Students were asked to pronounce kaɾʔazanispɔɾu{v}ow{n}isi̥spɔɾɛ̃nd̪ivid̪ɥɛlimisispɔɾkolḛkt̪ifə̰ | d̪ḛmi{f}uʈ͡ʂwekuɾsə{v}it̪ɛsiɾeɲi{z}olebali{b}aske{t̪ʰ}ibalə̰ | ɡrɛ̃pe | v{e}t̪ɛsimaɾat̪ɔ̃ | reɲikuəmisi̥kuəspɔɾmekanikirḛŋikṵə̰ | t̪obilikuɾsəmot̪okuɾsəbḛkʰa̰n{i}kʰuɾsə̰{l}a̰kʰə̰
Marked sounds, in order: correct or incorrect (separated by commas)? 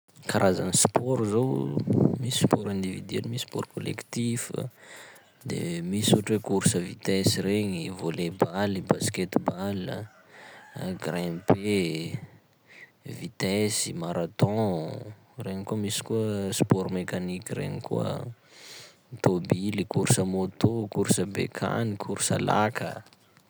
incorrect, incorrect, incorrect, correct, incorrect, correct, incorrect, incorrect, correct, correct